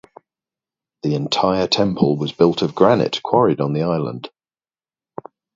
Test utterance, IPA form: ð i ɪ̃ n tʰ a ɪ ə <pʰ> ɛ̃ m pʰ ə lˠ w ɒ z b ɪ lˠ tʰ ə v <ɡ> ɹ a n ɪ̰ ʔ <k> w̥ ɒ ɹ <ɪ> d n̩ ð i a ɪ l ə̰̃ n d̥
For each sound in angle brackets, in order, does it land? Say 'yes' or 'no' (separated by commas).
no, yes, no, yes